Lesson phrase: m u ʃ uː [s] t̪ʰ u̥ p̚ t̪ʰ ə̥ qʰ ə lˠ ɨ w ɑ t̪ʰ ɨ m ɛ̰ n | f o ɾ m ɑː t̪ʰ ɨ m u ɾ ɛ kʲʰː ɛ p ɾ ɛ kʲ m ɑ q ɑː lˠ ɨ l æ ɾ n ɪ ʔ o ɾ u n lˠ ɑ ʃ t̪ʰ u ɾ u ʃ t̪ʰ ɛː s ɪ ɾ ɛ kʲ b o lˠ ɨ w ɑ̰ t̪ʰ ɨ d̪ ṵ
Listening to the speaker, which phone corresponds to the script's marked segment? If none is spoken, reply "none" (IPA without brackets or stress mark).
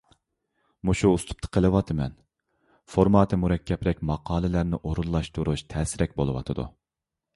s